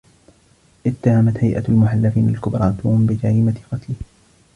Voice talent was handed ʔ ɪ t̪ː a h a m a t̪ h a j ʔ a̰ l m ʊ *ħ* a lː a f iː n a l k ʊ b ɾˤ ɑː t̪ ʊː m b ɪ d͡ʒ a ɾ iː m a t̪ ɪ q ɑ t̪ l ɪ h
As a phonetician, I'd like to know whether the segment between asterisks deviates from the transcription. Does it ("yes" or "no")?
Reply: no